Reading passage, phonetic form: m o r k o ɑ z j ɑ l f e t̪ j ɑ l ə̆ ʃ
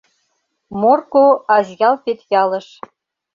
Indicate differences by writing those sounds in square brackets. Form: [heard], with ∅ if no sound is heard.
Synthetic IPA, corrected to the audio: m o r k o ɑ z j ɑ l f e t̪ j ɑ l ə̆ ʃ